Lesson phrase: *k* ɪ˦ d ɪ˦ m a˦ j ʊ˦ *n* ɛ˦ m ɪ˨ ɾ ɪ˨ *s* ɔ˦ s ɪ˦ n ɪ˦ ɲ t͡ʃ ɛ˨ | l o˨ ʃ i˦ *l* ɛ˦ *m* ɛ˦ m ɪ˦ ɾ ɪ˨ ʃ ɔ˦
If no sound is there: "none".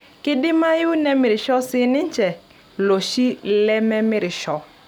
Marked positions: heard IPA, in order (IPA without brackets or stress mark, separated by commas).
k, n, ʃ, l, m